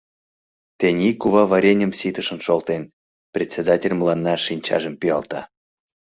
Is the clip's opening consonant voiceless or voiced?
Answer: voiceless